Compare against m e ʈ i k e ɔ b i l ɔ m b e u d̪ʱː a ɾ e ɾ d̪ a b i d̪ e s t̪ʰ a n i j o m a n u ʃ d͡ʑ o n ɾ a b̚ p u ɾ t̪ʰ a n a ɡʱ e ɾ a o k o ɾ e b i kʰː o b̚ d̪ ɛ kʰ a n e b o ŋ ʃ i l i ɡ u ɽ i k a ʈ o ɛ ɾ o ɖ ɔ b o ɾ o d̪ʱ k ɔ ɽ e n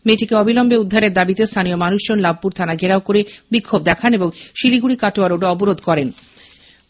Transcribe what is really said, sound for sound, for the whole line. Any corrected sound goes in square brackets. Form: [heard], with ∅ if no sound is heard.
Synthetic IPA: m e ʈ i k e ɔ b i l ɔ m b e u d̪ʱː a ɾ e ɾ d̪ a b i [t̪] e s t̪ʰ a n i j o m a n u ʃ d͡ʑ o n [l] a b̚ p u ɾ t̪ʰ a n a ɡʱ e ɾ a o k o ɾ e b i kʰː o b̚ d̪ ɛ kʰ a n e b o ŋ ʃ i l i ɡ u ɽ i k a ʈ o [a] ɾ o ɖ ɔ b o ɾ o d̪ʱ k ɔ [ɾ] e n